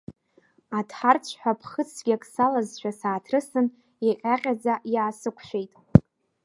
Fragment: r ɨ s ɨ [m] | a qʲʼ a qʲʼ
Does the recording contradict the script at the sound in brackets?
yes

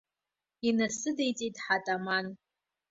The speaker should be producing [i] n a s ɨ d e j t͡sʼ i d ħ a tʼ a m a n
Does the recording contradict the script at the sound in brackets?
no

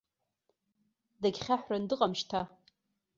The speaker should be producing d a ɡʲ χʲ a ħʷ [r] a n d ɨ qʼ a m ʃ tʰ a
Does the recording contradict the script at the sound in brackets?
no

